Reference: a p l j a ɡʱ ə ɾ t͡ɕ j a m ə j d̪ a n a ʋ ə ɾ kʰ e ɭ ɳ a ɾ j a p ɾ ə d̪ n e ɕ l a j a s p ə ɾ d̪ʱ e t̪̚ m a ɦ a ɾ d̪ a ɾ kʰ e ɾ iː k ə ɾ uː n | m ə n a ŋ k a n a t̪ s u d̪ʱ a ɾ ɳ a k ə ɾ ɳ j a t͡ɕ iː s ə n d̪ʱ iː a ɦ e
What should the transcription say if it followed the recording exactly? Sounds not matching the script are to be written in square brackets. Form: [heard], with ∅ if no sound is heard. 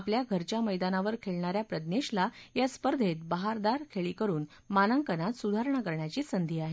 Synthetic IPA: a p l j a ɡʱ ə ɾ t͡ɕ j a m ə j d̪ a n a ʋ ə ɾ kʰ e ɭ ɳ a ɾ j a p ɾ ə d̪ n e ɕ l a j a s p ə ɾ d̪ʱ e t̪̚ [b] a ɦ a ɾ d̪ a ɾ kʰ e [ɭ] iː k ə ɾ uː n | m [a] n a ŋ k [ə] n a t̪ s u d̪ʱ a ɾ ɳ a k ə ɾ ɳ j a t͡ɕ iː s ə n d̪ʱ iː a ɦ e